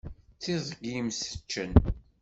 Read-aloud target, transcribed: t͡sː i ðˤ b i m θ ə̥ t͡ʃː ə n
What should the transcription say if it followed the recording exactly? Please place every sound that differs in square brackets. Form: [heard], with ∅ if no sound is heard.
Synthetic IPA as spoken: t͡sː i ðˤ [ɡ] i m [s] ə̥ t͡ʃː ə n